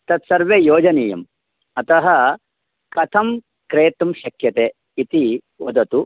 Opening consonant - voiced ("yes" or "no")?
no